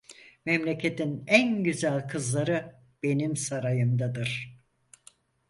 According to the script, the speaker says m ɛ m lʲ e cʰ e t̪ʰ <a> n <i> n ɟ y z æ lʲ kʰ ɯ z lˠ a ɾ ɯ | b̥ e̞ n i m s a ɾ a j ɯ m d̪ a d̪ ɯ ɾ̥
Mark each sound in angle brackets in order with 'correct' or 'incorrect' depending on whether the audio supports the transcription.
incorrect: i, incorrect: æ

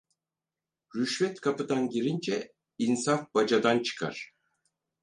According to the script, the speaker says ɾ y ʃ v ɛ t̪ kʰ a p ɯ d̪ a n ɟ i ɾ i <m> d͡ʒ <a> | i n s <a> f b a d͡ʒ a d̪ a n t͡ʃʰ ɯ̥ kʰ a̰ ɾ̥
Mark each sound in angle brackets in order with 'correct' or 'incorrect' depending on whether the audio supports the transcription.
incorrect: n, incorrect: ɛ, correct

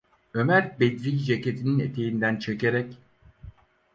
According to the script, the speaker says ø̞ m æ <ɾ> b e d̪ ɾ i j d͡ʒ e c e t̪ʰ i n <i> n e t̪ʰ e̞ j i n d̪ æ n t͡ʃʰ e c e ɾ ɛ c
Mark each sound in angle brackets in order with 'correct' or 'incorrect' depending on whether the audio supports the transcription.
correct, correct

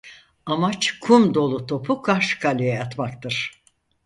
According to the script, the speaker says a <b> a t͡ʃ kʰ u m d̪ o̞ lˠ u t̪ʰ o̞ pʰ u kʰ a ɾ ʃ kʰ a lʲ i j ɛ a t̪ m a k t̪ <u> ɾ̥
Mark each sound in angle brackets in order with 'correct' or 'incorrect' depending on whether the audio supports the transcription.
incorrect: m, incorrect: ɯ

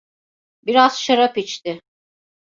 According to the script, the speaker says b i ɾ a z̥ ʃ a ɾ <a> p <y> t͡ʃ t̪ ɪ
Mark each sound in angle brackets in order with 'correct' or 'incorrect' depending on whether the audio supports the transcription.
correct, incorrect: i

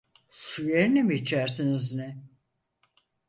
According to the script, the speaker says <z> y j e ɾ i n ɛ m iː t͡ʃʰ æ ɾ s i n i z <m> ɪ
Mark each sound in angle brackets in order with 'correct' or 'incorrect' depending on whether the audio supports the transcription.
incorrect: s, incorrect: n

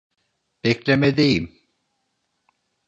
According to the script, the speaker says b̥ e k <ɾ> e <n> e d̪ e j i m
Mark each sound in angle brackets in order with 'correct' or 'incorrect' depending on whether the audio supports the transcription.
incorrect: l, incorrect: m

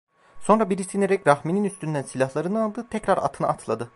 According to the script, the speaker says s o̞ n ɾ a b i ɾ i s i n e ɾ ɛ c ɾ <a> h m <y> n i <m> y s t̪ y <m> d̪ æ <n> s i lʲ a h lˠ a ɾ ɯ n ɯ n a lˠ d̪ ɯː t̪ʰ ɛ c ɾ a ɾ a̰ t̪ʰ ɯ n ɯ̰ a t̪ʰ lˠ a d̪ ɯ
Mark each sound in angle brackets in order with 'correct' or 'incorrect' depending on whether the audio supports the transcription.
correct, incorrect: i, incorrect: n, incorrect: n, correct

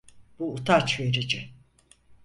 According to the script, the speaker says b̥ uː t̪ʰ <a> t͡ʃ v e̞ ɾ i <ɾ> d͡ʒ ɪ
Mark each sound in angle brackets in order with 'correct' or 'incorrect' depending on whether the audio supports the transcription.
correct, incorrect: none

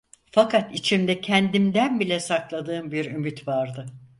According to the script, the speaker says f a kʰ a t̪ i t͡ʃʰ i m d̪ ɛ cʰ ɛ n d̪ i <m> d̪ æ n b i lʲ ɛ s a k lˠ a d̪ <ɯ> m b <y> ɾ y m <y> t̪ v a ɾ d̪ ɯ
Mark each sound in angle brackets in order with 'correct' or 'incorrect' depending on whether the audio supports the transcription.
correct, incorrect: ɯː, incorrect: i, correct

